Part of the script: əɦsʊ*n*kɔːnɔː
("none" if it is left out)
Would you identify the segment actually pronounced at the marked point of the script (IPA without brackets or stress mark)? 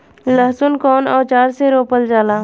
n